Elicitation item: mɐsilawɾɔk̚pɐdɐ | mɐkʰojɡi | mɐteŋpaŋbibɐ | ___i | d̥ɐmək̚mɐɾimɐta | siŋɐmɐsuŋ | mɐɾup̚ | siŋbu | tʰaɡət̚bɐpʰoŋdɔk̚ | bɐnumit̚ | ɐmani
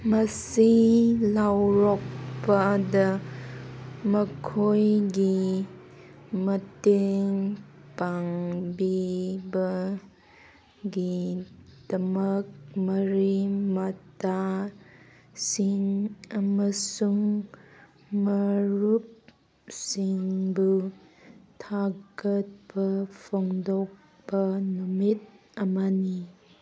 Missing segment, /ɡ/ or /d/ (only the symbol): ɡ